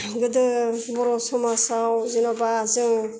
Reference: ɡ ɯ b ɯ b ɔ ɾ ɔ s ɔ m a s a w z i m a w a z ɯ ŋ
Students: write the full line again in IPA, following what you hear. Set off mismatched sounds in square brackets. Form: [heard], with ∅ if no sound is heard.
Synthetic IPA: ɡ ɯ [d] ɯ b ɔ ɾ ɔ s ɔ m a s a w z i [n] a [b] a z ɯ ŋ

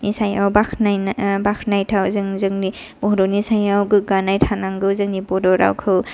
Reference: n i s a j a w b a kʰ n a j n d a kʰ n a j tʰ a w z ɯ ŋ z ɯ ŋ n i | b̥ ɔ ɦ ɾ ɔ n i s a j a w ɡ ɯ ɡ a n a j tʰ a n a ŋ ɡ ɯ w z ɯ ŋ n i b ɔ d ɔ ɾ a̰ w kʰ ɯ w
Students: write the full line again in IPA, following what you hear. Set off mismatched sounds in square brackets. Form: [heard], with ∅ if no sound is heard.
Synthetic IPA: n i s a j a w b a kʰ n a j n [b] a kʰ n a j tʰ a w z ɯ ŋ z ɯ ŋ n i | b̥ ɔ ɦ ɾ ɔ n i s a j a w ɡ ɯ ɡ a n a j tʰ a n a ŋ ɡ ɯ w z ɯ ŋ n i b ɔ d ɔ ɾ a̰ w kʰ ɯ w

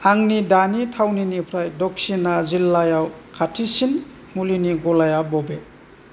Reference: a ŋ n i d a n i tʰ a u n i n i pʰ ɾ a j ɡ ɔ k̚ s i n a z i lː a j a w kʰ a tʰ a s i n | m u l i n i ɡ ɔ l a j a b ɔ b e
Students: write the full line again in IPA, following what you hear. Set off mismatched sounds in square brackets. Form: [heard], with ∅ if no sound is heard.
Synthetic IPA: a ŋ n i d a n i tʰ a [w] n i n i pʰ ɾ a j [d] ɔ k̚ s i n a z i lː a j a w kʰ a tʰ [i] s i n | m u l i n i ɡ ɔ l a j a b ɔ b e

